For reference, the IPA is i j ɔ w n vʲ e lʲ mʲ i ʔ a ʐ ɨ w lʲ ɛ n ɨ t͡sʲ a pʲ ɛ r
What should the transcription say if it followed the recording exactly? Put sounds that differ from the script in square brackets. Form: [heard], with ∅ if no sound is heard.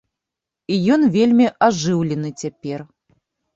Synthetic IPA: i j ɔ [∅] n vʲ e lʲ mʲ i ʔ a ʐ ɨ w lʲ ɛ n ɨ t͡sʲ a pʲ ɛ r